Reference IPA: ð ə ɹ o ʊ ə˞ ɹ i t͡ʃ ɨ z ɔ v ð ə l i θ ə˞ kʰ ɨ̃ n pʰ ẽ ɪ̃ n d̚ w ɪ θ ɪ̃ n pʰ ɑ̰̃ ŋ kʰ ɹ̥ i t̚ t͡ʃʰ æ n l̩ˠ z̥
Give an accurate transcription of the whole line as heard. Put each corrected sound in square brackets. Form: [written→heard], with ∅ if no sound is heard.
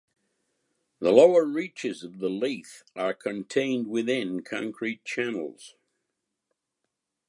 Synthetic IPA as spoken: ð ə [ɹ→l] o ʊ ə˞ ɹ i t͡ʃ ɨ z [ɔ→ʌ] v ð ə l i θ ə˞ kʰ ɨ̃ n [pʰ→tʰ] ẽ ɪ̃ n d̚ w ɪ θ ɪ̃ n [pʰ→kʰ] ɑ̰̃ ŋ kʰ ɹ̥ i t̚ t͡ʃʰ æ n l̩ˠ z̥

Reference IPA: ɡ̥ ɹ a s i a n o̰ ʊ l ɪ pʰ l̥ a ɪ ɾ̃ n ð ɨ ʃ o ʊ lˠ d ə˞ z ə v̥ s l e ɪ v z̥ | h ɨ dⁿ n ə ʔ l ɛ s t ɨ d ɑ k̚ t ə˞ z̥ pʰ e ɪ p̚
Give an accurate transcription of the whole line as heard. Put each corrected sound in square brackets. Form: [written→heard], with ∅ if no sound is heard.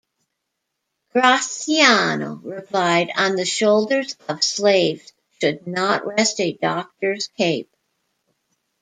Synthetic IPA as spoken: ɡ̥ ɹ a s i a n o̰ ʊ [l→ɹ] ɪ pʰ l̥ a ɪ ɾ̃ n ð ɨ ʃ o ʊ lˠ d ə˞ z [ə→ʌ] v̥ s l e ɪ v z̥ | [h→ʃ] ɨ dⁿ n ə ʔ [l→ɹ] ɛ s t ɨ d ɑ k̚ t ə˞ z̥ [pʰ→kʰ] e ɪ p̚

